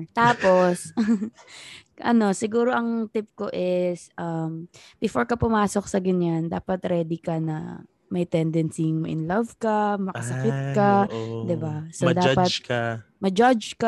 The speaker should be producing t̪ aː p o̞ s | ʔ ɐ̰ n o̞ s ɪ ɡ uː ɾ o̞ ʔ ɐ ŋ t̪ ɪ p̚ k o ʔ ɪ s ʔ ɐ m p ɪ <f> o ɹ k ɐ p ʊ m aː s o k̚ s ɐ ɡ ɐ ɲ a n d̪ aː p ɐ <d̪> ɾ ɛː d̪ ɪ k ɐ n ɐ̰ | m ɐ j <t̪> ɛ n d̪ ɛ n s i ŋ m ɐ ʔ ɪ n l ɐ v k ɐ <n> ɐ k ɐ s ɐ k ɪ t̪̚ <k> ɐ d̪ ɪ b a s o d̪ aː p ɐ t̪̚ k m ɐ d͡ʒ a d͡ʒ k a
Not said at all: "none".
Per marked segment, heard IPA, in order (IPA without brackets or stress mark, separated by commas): f, t̪, t̪, m, k